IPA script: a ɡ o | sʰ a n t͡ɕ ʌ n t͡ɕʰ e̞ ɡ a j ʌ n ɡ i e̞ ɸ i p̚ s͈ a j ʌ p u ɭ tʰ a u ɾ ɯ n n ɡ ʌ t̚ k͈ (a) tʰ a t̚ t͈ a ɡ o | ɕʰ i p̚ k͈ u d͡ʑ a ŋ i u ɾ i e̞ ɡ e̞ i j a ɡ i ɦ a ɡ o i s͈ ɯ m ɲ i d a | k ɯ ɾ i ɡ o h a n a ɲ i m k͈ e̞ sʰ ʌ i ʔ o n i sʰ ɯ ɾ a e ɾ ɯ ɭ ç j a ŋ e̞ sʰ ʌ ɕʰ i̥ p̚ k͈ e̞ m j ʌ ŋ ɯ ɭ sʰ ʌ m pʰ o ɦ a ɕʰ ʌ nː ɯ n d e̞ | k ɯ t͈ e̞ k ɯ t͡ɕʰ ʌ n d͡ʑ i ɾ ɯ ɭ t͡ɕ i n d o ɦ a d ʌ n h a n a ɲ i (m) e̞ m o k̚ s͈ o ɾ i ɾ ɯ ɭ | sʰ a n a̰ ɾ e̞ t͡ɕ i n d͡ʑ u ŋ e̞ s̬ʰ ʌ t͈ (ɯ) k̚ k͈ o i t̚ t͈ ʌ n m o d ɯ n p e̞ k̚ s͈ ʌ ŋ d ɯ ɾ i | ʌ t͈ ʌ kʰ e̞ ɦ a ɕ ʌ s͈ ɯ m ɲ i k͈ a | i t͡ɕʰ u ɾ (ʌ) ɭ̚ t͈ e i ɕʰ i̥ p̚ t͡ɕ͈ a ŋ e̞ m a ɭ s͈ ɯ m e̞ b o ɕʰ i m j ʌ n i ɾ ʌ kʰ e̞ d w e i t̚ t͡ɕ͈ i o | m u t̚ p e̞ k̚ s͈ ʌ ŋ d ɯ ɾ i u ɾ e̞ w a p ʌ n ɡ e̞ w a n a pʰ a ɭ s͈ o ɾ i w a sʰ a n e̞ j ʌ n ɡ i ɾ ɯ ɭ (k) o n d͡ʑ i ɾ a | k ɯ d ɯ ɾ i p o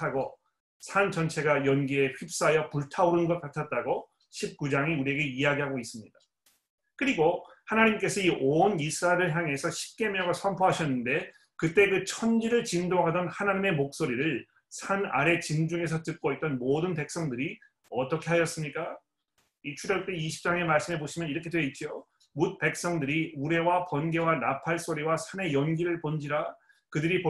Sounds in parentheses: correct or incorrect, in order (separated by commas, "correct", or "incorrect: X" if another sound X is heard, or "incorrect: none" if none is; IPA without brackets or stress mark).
correct, correct, correct, correct, incorrect: p